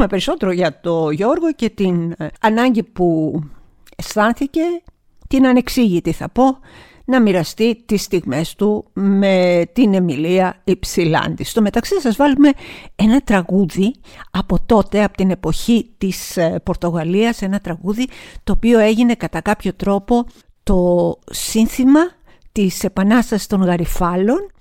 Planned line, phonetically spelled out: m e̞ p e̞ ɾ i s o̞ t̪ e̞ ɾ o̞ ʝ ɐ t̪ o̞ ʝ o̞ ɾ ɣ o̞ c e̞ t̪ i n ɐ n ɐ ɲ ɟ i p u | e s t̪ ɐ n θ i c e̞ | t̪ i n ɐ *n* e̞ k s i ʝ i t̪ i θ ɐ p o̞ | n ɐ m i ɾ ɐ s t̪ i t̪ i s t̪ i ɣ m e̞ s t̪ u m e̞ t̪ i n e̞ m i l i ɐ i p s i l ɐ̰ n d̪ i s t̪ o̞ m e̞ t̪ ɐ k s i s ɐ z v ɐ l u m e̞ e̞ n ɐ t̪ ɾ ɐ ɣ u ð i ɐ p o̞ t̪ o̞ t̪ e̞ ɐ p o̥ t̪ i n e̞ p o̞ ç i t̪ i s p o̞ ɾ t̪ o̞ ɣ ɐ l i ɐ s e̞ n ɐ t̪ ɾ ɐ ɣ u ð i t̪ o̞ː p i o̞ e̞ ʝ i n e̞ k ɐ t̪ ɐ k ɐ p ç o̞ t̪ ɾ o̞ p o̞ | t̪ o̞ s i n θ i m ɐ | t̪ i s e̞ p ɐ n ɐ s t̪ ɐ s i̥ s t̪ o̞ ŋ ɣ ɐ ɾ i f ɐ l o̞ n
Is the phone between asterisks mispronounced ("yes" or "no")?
no